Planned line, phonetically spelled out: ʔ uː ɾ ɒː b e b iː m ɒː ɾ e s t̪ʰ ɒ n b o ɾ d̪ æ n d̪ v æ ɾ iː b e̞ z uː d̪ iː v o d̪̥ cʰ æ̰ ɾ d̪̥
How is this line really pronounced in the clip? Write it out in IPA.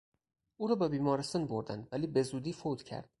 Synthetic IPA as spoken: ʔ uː ɾ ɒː b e b iː m ɒː ɾ e s t̪ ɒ n b o ɾ d̪ æ n d̪ v æ l iː b e̞ z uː d̪ iː f o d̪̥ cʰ æ̰ ɾ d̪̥

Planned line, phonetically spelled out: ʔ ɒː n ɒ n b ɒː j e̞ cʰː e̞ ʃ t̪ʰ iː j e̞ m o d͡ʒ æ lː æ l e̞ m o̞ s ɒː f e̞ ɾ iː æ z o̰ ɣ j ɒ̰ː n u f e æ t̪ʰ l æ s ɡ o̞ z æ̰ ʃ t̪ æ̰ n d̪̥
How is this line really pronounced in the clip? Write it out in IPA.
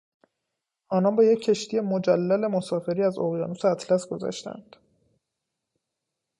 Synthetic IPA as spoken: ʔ ɒː n ɒ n b ɒː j e̞ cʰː e̞ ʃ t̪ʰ i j e̞ m o d͡ʒ æ lː æ l e̞ m o̞ s ɒː f e̞ ɾ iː æ z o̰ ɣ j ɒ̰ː n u s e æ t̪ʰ l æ s ɡ o̞ z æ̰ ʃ t̪ æ̰ n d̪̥

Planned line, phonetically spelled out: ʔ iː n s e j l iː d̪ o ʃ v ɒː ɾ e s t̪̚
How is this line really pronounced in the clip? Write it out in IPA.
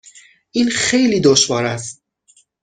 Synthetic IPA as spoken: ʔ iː n x e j l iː d̪ o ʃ v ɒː ɾ æ s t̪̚

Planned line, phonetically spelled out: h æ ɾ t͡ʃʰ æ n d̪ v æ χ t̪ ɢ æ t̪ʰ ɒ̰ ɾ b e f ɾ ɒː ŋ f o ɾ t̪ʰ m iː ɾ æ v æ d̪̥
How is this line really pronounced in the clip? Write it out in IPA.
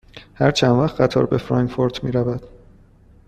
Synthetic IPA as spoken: h æ ɾ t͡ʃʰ æ n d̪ v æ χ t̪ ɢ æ t̪ʰ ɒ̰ ɾ b e f ɾ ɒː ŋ f o ɾ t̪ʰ m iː ɾ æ v æ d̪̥

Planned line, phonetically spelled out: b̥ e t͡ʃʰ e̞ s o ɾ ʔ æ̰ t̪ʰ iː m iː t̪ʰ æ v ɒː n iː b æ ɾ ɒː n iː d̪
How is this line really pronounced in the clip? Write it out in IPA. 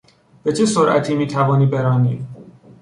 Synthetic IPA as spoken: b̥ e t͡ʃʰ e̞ s o ɾ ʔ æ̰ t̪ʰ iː m iː t̪ʰ æ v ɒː n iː b e ɾ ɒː n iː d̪

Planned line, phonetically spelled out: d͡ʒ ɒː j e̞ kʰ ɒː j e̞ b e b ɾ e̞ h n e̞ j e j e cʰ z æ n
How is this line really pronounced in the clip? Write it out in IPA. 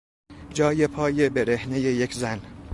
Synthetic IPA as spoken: d͡ʒ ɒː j e̞ pʰ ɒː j e̞ b e ɾ e̞ h n e̞ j e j e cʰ z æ n

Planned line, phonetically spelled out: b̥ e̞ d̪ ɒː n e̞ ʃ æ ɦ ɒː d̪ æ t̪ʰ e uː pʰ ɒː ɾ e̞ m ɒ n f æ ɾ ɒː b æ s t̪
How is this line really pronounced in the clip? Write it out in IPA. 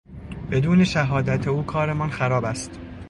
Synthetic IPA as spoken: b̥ e̞ d̪ uː n e̞ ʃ æ ɦ ɒː d̪ æ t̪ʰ e uː kʰ ɒː ɾ e̞ m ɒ n x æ ɾ ɒː b æ s t̪

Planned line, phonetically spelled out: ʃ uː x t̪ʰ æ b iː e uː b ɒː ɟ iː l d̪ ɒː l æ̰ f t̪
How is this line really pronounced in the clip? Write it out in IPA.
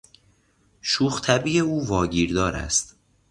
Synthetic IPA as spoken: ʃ uː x t̪ʰ æ b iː e uː v ɒː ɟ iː ɾ d̪ ɒː ɾ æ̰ s t̪

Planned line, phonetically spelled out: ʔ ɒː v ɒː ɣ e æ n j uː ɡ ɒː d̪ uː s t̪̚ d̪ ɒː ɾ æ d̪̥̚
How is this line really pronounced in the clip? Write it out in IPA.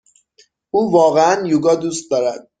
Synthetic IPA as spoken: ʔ uː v ɒː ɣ e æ n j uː ɡ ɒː d̪ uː s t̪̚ d̪ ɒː ɾ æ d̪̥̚

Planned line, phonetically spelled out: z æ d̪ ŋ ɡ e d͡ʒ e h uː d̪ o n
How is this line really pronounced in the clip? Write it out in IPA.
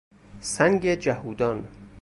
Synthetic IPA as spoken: s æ ŋ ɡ e d͡ʒ æ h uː d̪ ɒ n

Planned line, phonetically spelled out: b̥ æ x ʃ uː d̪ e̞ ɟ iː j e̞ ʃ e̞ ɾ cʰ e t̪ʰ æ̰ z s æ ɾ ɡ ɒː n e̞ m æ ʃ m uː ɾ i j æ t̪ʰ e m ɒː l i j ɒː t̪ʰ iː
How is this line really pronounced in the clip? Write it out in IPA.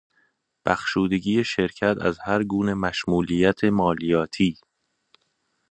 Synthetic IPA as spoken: b̥ æ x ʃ uː d̪ e̞ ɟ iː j e̞ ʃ e̞ ɾ cʰ æ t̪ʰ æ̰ z h æ ɾ ɡ uː n e̞ m æ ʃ m uː l i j æ t̪ʰ e m ɒː l i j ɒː t̪ʰ iː

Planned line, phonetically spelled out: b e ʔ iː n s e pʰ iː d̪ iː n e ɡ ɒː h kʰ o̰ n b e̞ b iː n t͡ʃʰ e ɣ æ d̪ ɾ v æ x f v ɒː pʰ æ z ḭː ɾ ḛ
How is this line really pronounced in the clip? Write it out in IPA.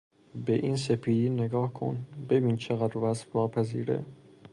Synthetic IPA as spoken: b e ʔ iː n s e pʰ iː d̪ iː n e ɡ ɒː h kʰ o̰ n b e̞ b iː n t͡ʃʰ e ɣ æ d̪ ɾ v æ s f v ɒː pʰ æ z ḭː ɾ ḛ

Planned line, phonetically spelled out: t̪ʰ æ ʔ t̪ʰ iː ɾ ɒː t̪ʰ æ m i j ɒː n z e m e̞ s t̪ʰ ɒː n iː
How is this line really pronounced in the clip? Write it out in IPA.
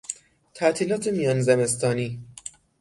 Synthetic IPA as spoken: t̪ʰ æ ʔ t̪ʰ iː l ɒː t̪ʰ e m i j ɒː n z e m e̞ s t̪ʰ ɒː n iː

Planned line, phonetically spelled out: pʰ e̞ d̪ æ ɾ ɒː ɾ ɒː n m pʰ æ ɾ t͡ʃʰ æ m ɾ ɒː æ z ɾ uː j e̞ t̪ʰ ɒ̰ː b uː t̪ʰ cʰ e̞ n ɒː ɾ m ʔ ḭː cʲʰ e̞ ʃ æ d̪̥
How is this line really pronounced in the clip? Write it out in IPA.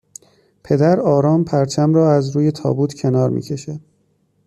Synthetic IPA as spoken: pʰ e̞ d̪ æ ɾ ɒː ɾ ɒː m pʰ æ ɾ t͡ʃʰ æ m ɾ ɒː æ z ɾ uː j e̞ t̪ʰ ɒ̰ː b uː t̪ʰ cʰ e̞ n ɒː ɾ m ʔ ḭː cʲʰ e̞ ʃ æ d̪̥

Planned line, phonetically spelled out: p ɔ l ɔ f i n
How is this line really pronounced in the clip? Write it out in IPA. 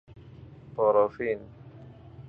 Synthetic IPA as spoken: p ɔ ɾ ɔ f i n

